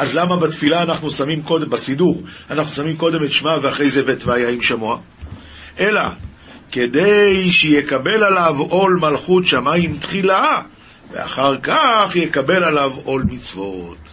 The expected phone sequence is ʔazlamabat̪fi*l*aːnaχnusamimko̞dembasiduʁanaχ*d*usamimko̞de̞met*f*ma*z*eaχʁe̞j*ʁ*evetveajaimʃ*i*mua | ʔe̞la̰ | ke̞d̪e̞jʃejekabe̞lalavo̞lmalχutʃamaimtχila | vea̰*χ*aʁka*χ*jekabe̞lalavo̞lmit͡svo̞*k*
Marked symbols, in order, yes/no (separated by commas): yes, no, no, no, no, no, yes, yes, no